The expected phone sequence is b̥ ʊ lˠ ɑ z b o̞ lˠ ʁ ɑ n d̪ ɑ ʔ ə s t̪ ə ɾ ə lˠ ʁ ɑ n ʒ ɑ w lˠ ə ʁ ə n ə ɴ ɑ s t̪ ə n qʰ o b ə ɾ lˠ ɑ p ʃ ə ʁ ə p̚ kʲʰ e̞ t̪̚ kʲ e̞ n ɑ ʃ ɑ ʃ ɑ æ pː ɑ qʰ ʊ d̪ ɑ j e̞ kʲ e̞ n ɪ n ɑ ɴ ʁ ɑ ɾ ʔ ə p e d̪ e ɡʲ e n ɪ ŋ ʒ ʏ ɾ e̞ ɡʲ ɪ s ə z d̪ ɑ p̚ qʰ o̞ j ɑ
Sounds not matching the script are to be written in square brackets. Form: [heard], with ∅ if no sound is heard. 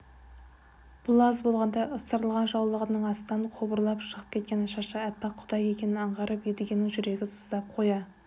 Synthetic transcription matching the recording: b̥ ʊ lˠ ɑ z b o̞ lˠ ʁ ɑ n d̪ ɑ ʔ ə s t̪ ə ɾ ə lˠ ʁ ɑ n ʒ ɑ w lˠ ə ʁ ə n ə ɴ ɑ s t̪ [ɑ] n qʰ o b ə ɾ lˠ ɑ p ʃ ə ʁ ə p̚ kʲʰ e̞ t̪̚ kʲ e̞ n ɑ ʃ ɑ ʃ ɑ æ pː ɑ qʰ ʊ d̪ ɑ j e̞ kʲ e̞ n ɪ n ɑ ɴ ʁ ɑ ɾ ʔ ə p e d̪ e ɡʲ e n ɪ ŋ ʒ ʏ ɾ e̞ ɡʲ ɪ s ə z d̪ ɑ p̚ qʰ o̞ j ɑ